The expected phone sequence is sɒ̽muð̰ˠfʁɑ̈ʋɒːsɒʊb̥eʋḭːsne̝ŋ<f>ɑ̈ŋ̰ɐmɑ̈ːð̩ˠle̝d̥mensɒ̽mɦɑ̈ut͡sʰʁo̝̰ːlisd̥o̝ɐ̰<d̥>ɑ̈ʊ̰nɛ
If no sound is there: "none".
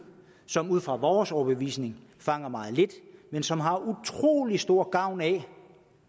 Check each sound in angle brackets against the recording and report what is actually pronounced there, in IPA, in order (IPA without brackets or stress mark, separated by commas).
f, ɡ̥